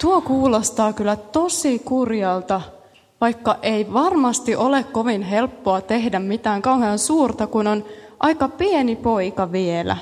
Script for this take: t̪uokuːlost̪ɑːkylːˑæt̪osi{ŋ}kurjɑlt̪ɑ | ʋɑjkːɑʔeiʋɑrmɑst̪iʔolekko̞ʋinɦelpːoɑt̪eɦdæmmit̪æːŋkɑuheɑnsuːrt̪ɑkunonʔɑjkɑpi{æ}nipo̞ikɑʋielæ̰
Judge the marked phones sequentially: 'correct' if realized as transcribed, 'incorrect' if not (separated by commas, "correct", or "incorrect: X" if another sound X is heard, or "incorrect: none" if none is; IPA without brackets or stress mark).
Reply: incorrect: none, incorrect: e